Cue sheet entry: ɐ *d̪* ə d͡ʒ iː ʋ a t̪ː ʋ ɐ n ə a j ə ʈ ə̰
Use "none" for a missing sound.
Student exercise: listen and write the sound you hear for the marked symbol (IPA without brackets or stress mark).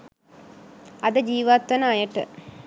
d̪